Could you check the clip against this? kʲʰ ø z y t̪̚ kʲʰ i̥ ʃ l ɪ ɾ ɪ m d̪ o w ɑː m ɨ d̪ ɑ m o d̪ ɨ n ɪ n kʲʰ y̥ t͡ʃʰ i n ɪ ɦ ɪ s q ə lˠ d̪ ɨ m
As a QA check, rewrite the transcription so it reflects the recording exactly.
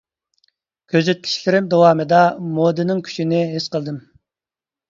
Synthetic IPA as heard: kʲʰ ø z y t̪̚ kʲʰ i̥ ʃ l ɪ ɾ ɪ m d̪ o w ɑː m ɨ d̪ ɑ m o d̪ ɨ n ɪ ŋ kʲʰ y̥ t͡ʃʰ i n ɪ ɦ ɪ s q ə lˠ d̪ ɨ m

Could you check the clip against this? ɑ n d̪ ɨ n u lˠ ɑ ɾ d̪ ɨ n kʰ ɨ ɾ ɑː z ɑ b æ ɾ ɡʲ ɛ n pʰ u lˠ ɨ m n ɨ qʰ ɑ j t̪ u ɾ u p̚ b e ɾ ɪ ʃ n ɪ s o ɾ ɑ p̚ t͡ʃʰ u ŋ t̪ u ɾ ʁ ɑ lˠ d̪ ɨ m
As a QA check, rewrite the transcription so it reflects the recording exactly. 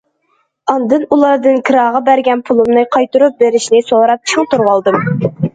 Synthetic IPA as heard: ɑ n d̪ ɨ n u lˠ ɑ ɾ d̪ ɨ n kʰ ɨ ɾ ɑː ʁ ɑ b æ ɾ ɡʲ ɛ n pʰ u lˠ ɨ m n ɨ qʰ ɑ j t̪ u ɾ u p̚ b e ɾ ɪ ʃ n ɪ s o ɾ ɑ p̚ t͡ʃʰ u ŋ t̪ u ɾ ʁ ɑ lˠ d̪ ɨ m

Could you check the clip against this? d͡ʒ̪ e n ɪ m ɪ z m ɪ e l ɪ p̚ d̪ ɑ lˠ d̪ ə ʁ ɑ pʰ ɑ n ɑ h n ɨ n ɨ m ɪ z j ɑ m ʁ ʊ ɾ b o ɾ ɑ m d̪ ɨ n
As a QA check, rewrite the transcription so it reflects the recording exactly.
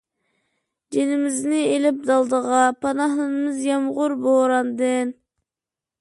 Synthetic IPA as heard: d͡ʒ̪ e n ɪ m ɪ z n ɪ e l ɪ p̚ d̪ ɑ lˠ d̪ ə ʁ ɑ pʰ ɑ n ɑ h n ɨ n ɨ m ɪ z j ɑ m ʁ ʊ ɾ b o ɾ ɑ n d̪ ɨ n

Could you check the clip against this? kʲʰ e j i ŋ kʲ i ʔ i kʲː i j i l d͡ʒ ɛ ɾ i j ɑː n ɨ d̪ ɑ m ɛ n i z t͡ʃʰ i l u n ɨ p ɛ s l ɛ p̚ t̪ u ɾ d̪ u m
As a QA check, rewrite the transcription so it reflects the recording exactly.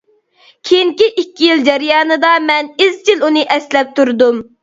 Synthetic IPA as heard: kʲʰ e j i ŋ kʲ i ʔ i kʲː i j i l d͡ʒ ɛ ɾ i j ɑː n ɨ d̪ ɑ m ɛ n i z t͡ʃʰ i l u n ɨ ʔ ɛ s l ɛ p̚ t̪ u ɾ d̪ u m

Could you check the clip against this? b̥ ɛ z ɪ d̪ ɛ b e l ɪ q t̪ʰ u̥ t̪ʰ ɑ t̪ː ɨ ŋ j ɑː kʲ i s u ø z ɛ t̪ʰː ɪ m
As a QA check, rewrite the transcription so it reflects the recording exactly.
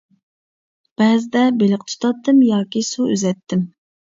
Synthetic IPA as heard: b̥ ɛ z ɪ d̪ ɛ b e l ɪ q t̪ʰ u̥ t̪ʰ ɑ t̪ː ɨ m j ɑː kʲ i s u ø z ɛ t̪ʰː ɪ m

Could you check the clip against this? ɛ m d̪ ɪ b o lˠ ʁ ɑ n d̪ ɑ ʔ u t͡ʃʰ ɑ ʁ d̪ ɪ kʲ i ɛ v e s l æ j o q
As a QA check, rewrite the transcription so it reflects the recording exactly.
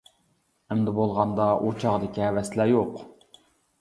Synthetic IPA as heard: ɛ m d̪ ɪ b o lˠ ʁ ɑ n d̪ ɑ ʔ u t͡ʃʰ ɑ ʁ d̪ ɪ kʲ i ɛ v ɛ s l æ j o q

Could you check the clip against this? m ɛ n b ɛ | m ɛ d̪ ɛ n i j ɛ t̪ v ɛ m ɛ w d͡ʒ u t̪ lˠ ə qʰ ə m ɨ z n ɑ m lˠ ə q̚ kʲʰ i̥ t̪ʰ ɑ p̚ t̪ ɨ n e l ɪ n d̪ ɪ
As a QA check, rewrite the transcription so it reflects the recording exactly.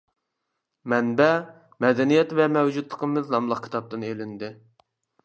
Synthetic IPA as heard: m ɛ n b ɛ | m ɛ d̪ ɛ n i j ɛ t̪ v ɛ m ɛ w d͡ʒ u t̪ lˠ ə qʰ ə m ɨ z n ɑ m lˠ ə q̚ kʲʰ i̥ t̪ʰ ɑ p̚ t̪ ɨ n e l ɪ n d̪ ɪ

